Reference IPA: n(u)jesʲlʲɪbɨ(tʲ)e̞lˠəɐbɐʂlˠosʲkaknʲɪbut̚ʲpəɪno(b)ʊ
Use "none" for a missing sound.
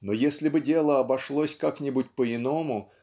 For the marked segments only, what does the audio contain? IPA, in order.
o, dʲ, m

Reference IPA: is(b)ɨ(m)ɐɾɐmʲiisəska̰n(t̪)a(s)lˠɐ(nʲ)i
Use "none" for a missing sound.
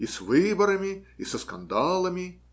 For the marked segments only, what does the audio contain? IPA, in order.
v, b, d̪, none, mʲ

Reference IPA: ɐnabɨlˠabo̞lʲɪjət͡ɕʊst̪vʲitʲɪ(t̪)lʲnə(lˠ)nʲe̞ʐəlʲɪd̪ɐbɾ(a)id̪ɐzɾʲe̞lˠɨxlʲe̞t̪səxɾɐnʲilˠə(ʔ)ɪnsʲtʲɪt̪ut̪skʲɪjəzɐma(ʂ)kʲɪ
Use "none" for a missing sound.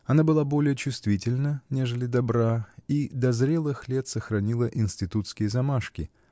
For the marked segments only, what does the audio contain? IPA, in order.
none, none, a, ʔ, ʂ

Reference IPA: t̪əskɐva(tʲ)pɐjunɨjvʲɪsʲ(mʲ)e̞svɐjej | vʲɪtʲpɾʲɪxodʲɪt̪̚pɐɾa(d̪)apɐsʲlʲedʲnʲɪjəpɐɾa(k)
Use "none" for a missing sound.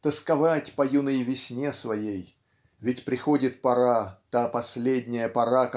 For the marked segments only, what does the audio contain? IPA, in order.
tʲ, nʲ, t̪, k

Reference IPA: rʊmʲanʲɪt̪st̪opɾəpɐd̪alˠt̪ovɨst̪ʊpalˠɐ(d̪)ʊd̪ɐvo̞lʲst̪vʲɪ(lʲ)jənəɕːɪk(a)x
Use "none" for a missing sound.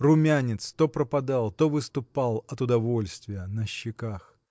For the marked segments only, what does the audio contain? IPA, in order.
t̪, none, a

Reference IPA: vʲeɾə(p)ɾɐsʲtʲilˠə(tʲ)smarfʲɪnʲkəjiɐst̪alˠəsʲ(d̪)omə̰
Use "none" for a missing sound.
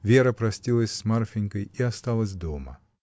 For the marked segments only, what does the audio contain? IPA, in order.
p, sʲ, d̪

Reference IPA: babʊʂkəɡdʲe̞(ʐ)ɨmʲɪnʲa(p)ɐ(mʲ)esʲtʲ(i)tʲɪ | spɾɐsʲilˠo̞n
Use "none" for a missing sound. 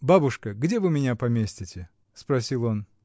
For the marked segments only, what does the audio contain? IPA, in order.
v, p, mʲ, ɪ

